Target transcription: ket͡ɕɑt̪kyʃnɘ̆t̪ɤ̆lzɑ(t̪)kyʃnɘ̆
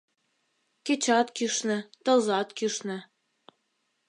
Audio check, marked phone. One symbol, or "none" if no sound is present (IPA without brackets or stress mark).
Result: t̪